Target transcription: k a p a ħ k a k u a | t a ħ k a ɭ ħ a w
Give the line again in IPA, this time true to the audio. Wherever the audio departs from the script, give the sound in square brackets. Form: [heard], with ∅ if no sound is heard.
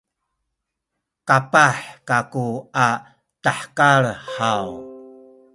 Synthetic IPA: k a p a ħ k a k u a | t a ħ k a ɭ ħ a w